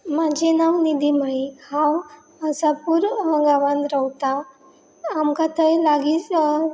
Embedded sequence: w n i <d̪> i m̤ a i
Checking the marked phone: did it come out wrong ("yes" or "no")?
no